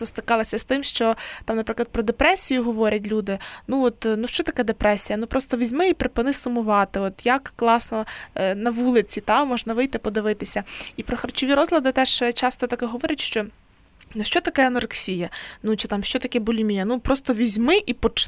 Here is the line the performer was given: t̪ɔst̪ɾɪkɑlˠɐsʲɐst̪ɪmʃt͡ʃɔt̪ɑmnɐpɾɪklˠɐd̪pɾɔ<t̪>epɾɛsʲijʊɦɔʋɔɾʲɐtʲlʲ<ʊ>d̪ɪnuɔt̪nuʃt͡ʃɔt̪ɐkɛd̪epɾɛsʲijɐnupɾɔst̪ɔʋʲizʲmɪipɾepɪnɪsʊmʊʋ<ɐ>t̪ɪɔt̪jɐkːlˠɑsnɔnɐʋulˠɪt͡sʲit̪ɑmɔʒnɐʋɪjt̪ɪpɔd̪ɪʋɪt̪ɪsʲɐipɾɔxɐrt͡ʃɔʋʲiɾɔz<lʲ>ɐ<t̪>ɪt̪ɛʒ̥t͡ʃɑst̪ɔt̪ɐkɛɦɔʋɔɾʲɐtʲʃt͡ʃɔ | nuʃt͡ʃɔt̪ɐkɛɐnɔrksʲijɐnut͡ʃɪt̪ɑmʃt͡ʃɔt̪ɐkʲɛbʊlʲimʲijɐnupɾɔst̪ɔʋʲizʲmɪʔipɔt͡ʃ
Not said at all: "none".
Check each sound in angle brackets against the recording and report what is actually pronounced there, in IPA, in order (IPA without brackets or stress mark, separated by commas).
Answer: d̪, u, ɑ, lʲ, d̪